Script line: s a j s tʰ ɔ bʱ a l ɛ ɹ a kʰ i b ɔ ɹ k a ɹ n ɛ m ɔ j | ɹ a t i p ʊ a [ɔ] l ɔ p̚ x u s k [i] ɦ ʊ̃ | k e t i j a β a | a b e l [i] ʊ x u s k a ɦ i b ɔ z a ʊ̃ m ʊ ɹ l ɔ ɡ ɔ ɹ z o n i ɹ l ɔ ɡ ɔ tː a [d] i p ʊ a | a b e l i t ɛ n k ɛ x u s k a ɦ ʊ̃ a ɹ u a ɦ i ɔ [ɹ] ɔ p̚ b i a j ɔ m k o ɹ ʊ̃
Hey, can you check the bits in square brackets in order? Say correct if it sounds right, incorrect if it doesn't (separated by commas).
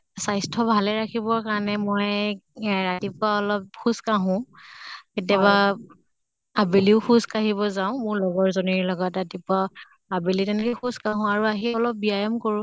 correct, incorrect, correct, incorrect, incorrect